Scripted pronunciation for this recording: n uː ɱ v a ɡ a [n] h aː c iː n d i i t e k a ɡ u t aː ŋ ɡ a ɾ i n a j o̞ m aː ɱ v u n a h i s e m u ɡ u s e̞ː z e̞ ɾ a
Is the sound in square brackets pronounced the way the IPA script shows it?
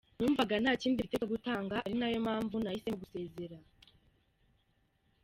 yes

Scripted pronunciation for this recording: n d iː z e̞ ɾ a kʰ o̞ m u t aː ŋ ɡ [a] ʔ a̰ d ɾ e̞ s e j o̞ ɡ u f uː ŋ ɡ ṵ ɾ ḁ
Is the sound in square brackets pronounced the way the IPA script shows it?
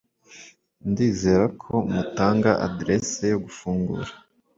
yes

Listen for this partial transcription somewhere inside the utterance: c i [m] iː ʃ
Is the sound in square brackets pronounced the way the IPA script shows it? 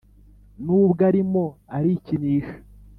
no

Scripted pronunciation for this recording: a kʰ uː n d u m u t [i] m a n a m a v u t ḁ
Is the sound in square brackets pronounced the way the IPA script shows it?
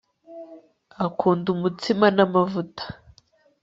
yes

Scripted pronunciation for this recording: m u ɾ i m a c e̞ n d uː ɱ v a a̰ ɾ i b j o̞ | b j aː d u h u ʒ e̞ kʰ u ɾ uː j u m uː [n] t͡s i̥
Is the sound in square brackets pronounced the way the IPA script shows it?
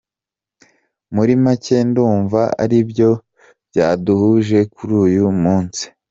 yes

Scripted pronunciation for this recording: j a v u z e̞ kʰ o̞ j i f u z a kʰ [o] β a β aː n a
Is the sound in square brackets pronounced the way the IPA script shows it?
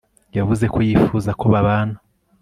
yes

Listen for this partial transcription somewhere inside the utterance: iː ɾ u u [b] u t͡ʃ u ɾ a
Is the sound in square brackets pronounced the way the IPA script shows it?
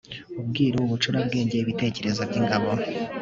no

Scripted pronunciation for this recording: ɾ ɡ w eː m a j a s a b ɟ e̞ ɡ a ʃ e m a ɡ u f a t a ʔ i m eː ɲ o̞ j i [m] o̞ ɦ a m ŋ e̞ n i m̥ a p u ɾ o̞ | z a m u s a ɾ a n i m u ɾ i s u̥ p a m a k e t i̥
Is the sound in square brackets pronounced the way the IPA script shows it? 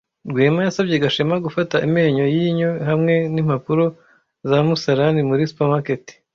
no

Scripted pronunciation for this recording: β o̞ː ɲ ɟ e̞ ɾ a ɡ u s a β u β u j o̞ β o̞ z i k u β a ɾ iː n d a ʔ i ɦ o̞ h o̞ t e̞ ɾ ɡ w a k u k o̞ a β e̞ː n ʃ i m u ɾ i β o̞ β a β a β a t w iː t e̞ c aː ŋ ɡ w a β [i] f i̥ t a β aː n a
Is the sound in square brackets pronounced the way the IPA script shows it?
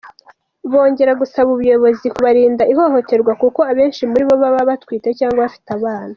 no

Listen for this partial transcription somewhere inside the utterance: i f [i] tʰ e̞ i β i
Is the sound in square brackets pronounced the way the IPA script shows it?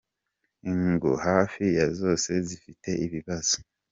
yes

